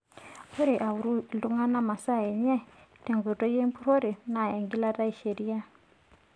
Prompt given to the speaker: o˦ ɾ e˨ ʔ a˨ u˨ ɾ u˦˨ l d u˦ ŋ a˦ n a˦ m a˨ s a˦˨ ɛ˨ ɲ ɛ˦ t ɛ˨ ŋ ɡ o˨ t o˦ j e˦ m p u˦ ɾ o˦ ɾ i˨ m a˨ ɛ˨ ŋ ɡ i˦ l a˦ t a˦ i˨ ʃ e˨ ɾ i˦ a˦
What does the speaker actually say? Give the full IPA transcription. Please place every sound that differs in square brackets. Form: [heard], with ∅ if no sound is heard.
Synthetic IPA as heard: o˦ ɾ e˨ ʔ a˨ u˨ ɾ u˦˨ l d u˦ ŋ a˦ n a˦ m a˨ s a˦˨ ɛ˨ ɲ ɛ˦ t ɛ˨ ŋ ɡ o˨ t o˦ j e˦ m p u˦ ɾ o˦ ɾ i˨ [n] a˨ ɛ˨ ŋ ɡ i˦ l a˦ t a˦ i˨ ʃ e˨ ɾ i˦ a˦

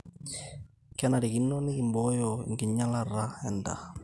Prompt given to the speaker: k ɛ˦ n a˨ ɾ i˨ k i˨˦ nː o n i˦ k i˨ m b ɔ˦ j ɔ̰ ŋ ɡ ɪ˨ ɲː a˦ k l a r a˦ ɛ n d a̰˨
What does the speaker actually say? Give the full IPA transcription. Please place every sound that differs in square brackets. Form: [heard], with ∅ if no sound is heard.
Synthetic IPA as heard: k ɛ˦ n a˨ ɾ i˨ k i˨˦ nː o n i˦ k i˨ m b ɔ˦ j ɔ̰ ŋ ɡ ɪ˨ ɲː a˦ [∅] l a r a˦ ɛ n d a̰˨

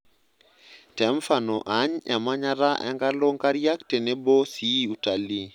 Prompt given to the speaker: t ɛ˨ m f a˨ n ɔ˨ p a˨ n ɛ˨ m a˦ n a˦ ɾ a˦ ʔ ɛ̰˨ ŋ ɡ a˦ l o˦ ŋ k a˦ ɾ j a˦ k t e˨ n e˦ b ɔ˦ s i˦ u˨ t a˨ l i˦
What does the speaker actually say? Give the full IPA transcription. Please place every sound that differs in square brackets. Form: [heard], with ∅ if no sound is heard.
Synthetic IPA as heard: t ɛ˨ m f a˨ n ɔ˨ [ʔ] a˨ [ɲ] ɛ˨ m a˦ [ɲ] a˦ ɾ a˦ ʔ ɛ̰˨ ŋ ɡ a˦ l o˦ ŋ k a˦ ɾ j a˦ k t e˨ n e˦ b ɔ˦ s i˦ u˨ t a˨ l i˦

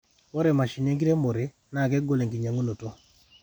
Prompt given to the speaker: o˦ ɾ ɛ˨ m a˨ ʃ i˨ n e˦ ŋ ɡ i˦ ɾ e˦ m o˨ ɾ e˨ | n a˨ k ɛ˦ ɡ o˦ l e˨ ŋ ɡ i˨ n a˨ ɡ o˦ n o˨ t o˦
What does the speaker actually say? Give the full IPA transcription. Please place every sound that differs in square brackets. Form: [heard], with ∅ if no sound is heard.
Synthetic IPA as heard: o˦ ɾ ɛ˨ m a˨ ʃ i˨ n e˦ ŋ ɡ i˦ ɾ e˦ m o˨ ɾ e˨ | n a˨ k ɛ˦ ɡ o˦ l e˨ ŋ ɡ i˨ [ɲ] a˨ [ŋ] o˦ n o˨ t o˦

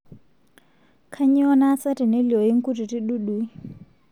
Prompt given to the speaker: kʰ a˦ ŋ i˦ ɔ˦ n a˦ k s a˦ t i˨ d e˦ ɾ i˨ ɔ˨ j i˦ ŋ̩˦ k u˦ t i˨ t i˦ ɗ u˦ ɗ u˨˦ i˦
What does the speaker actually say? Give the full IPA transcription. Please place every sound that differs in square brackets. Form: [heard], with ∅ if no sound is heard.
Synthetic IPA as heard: kʰ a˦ [ɲ] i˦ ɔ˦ n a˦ [∅] s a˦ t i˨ [n] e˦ [l] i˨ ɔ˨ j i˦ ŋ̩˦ k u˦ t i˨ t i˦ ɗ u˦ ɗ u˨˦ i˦

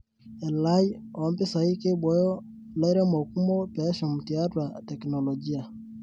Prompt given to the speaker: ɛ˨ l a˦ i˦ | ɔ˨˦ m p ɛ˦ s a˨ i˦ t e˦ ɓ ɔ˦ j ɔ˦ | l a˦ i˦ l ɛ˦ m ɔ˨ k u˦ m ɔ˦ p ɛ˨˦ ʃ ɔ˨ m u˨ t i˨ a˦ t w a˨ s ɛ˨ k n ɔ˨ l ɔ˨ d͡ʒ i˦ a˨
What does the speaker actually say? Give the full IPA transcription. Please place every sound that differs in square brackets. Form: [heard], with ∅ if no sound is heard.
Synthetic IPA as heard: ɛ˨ l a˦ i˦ | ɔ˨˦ m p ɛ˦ s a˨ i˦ [k] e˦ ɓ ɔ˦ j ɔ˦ | l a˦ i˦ [ɾ] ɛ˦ m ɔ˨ k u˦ m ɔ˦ p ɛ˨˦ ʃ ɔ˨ m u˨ t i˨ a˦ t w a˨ [t] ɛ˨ k n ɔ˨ l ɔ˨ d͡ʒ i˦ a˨

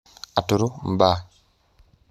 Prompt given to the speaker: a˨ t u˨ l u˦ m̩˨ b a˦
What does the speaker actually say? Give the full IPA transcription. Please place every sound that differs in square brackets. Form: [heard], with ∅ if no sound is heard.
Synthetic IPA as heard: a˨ t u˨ [ɾ] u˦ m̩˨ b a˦

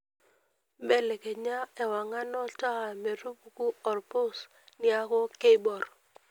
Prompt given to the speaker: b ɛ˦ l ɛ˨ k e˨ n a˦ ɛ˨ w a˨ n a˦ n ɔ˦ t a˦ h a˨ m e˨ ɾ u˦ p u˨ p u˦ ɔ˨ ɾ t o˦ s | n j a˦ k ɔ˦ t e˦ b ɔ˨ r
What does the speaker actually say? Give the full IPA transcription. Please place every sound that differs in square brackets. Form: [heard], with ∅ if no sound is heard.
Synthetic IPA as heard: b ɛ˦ l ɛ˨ k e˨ [ɲ] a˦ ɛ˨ w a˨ [ŋ] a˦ n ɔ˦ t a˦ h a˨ m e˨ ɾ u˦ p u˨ [k] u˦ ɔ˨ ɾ [p] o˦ s | n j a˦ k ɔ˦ [k] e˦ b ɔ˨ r

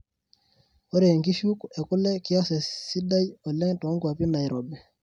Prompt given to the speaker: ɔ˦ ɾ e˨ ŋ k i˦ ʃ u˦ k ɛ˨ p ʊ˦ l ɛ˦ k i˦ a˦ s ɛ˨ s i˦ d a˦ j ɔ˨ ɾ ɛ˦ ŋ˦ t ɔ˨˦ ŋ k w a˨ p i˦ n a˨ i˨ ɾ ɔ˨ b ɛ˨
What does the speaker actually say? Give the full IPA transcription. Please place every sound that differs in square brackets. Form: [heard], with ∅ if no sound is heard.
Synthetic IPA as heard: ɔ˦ ɾ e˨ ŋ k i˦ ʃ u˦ k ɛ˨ [k] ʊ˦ l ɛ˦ k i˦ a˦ s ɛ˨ s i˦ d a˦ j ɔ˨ [l] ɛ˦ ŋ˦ t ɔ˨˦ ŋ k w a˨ p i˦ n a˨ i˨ ɾ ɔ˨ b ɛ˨

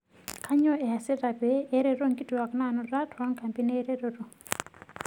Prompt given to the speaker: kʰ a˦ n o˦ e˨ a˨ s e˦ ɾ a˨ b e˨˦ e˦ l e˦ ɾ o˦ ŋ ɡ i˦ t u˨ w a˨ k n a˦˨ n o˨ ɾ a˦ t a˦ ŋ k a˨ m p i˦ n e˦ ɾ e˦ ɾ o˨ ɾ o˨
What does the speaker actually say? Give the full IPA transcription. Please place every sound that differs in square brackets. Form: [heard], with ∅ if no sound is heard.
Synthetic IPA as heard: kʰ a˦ [ɲ] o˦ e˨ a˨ s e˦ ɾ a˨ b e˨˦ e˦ [ɾ] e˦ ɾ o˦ ŋ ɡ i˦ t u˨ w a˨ k n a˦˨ n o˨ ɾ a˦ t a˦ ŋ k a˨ m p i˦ n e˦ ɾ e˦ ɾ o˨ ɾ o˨

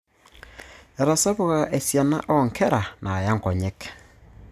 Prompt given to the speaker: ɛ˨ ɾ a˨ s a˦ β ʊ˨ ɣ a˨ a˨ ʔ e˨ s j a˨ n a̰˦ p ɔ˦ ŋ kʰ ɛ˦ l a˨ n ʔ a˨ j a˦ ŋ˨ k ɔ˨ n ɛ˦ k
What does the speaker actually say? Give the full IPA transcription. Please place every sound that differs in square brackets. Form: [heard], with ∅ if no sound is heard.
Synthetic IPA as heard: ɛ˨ ɾ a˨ s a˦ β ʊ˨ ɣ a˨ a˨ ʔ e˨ s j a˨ n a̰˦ [ʔ] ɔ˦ ŋ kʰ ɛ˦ [ɾ] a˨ n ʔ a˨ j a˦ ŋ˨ k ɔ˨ [ɲ] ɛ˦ k

